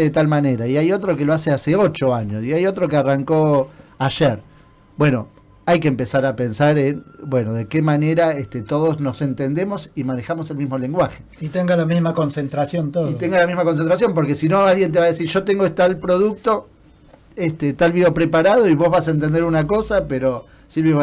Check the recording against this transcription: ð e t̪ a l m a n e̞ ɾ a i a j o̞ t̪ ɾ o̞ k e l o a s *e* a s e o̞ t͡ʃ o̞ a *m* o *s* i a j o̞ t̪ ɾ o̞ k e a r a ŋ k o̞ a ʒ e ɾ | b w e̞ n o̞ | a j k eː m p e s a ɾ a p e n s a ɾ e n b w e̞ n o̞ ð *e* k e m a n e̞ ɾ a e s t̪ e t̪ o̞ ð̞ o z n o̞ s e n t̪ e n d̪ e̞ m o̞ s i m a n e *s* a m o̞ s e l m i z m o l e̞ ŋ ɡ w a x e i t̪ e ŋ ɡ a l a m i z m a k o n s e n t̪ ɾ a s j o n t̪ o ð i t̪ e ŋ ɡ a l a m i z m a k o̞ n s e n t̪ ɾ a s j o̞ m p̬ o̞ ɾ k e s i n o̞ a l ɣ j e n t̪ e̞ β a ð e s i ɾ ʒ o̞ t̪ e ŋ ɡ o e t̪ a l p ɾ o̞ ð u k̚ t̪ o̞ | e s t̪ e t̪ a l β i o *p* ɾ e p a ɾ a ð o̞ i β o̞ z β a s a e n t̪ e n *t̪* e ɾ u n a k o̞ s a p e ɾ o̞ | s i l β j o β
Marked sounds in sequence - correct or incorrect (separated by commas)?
correct, incorrect, correct, correct, incorrect, correct, incorrect